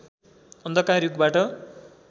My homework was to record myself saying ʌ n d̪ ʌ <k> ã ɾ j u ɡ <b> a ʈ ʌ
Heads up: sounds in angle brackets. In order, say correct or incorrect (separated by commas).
correct, correct